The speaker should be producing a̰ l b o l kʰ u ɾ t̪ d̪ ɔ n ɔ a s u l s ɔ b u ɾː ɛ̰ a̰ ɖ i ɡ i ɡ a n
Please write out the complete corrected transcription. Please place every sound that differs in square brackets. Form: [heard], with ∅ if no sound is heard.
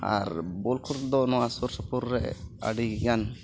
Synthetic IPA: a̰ [ɾ] b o l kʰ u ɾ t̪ d̪ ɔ n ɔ a s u [ɾ] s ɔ [p] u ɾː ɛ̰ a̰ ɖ i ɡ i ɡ a n